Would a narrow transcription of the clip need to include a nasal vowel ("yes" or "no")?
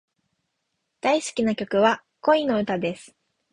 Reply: no